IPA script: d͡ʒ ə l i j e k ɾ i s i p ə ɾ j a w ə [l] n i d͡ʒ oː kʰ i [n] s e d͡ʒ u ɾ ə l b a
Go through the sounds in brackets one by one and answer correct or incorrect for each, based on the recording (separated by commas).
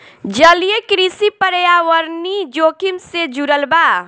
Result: incorrect, incorrect